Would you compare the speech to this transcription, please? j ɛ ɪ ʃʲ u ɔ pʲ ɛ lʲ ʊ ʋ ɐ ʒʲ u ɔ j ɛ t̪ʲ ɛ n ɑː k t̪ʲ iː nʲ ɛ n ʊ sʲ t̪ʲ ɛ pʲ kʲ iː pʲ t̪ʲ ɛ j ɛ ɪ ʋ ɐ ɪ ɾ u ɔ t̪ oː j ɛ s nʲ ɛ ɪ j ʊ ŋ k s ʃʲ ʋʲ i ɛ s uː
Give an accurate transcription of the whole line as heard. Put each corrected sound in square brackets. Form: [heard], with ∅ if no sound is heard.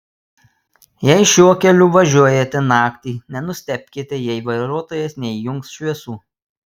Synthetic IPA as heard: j ɛ ɪ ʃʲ u ɔ [kʲ] ɛ lʲ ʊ ʋ ɐ ʒʲ u ɔ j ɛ t̪ʲ ɛ n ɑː k t̪ʲ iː nʲ ɛ n ʊ sʲ t̪ʲ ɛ pʲ kʲ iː [∅] t̪ʲ ɛ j ɛ ɪ ʋ ɐ ɪ ɾ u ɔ t̪ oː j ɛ s nʲ ɛ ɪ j ʊ ŋ k s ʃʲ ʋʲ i ɛ s uː